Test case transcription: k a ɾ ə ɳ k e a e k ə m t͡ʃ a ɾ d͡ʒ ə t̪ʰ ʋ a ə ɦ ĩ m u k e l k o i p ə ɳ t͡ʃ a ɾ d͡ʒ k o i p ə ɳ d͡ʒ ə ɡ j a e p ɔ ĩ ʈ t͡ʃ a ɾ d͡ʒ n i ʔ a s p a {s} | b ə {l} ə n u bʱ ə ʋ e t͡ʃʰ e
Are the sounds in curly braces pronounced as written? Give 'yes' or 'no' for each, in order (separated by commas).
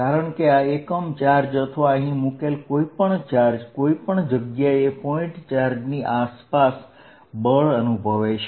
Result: yes, no